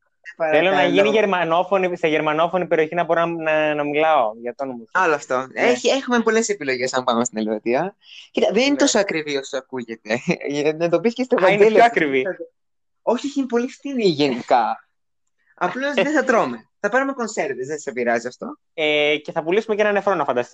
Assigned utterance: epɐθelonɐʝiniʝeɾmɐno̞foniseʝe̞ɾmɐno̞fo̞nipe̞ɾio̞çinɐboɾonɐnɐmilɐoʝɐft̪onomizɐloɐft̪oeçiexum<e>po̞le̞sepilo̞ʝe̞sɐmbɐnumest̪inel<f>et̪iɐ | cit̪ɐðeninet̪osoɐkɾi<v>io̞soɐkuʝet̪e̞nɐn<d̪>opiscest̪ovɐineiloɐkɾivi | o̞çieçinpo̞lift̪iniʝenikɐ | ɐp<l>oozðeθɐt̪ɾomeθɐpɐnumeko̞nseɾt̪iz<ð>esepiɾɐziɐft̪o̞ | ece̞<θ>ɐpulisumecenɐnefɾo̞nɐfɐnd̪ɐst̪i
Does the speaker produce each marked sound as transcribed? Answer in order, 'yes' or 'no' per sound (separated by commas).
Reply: yes, no, yes, yes, yes, yes, yes